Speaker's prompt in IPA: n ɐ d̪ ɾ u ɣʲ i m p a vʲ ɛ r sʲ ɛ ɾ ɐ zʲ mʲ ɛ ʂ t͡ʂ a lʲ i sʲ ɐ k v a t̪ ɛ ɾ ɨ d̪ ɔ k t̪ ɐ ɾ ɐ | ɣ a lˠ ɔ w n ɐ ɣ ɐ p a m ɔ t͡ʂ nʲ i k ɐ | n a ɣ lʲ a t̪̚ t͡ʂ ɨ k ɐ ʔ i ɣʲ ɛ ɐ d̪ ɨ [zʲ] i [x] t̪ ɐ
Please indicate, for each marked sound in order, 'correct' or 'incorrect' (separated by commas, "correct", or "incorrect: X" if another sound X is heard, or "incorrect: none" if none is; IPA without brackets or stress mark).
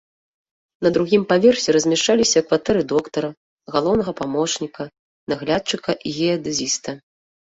correct, incorrect: s